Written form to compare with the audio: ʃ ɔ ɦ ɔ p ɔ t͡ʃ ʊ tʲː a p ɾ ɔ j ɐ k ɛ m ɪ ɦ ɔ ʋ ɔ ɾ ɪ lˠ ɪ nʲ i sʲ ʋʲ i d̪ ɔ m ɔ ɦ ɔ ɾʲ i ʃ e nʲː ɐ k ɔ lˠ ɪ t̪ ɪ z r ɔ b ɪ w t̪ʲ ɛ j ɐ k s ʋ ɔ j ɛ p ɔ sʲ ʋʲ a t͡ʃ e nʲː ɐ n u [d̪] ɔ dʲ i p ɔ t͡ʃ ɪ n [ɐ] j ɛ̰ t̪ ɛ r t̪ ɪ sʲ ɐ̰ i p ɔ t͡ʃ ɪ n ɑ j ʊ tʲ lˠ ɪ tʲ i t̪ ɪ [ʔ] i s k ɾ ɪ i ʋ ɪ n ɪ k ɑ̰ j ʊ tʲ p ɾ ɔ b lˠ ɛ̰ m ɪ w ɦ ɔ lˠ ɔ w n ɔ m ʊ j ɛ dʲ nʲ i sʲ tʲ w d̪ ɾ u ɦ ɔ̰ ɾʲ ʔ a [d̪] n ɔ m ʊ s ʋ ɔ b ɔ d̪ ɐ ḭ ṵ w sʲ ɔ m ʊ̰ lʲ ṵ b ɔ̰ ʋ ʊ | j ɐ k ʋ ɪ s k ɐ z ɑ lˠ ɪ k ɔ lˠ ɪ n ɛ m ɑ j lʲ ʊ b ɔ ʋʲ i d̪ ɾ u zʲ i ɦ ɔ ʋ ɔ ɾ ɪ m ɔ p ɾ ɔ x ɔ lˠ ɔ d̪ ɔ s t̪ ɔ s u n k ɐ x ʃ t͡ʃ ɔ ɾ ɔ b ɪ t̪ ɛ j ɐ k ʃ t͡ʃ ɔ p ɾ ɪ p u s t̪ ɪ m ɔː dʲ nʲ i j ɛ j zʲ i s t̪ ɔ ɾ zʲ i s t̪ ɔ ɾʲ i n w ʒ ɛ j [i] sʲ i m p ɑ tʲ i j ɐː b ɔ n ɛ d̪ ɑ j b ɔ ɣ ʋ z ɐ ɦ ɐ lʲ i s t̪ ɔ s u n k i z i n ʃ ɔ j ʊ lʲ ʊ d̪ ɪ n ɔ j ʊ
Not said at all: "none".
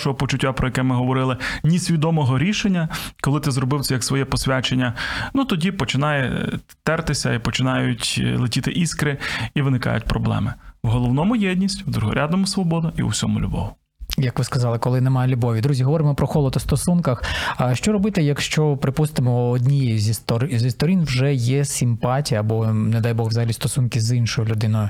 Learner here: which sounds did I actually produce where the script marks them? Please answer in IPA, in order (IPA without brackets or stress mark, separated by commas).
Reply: t̪, ɑ, ʔ, d̪, ɛ